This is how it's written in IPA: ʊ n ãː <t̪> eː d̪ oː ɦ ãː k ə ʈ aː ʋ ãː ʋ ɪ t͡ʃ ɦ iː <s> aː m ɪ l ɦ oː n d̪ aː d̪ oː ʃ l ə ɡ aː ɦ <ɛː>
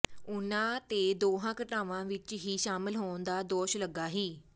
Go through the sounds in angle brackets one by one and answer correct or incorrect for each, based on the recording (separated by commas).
correct, incorrect, incorrect